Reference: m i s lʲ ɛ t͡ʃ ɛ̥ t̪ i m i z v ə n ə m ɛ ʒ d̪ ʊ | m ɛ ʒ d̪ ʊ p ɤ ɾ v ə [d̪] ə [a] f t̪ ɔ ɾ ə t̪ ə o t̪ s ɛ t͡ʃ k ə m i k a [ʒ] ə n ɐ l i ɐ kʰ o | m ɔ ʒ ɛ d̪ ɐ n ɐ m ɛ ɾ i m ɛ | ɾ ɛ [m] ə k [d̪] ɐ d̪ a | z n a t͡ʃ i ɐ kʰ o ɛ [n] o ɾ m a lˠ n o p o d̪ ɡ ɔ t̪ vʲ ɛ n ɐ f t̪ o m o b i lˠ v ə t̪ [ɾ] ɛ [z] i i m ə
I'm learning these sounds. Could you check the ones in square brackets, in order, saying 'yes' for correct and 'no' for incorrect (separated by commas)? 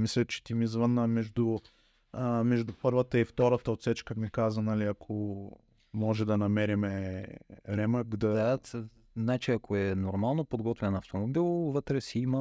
no, no, no, yes, yes, yes, yes, no